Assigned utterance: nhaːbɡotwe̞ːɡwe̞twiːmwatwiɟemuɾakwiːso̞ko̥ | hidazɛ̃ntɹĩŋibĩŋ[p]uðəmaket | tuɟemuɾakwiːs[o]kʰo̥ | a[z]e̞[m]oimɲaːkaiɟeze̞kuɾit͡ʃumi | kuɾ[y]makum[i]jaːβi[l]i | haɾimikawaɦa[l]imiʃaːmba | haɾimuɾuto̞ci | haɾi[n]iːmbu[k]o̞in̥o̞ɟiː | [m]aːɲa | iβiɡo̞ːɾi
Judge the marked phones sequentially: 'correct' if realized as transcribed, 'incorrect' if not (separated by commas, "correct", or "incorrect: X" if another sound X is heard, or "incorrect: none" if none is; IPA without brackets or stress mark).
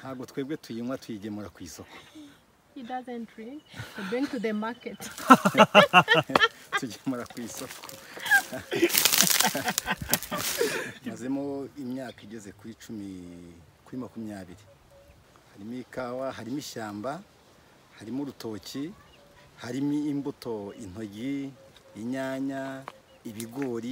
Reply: incorrect: t, correct, correct, correct, incorrect: i, correct, incorrect: ɾ, incorrect: ɾ, incorrect: m, incorrect: t, incorrect: ɲ